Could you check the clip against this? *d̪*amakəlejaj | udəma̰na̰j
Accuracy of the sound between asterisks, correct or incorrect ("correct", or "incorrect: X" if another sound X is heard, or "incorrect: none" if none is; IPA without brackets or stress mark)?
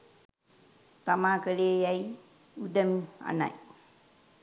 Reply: incorrect: t̪